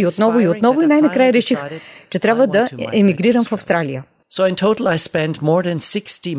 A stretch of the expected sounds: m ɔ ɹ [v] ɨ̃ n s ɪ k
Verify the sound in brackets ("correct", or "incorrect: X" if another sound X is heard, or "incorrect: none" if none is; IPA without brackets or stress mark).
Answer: incorrect: ð